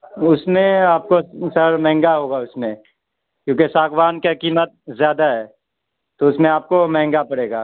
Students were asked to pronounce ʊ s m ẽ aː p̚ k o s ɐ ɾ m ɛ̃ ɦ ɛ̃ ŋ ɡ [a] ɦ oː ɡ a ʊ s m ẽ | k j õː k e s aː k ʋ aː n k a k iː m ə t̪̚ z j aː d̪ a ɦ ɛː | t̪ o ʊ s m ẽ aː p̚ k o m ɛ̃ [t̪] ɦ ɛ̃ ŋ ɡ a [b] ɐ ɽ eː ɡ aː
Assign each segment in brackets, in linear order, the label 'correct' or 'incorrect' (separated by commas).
correct, incorrect, incorrect